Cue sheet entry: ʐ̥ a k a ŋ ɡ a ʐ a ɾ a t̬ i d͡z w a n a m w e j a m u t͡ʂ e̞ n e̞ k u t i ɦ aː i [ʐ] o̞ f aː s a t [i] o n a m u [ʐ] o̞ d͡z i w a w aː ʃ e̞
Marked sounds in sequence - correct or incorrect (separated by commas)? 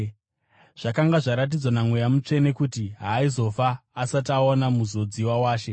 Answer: incorrect, incorrect, incorrect